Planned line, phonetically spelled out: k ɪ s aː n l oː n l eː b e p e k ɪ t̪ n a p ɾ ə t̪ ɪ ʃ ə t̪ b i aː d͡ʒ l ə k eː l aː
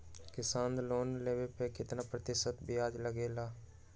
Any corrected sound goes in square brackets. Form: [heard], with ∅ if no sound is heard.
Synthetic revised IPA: k ɪ s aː n l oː n l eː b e p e k ɪ t̪ n a p ɾ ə t̪ ɪ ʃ ə t̪ b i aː d͡ʒ l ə [ɡ] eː l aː